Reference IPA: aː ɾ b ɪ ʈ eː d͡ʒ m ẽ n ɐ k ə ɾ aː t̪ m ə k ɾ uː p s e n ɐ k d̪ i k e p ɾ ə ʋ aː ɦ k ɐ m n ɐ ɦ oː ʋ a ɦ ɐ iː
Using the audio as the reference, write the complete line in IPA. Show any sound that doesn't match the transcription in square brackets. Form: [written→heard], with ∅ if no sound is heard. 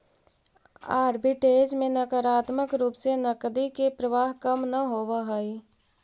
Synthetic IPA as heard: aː ɾ b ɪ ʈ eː d͡ʒ m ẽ n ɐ k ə ɾ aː t̪ m ə k ɾ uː p s e n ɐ k d̪ i k e p ɾ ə ʋ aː ɦ k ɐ m n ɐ ɦ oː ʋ a ɦ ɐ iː